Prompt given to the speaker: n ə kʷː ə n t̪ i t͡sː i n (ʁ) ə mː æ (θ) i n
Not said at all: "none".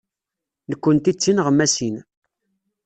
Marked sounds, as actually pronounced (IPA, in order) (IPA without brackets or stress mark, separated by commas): ʁ, s